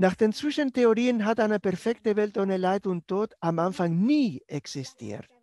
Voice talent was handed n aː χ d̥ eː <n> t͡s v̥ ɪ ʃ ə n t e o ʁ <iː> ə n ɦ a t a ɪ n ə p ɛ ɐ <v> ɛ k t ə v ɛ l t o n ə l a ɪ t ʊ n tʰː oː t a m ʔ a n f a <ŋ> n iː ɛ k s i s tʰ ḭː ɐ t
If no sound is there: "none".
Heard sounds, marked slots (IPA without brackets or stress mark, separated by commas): n, iː, f, ŋ